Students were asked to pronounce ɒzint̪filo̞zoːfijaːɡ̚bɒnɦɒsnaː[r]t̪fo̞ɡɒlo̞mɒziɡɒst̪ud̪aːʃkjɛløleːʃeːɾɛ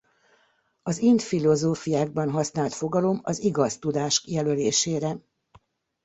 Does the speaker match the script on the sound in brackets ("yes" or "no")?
no